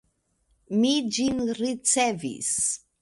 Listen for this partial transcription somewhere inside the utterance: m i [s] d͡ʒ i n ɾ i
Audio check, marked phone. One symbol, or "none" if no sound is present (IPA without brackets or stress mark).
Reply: none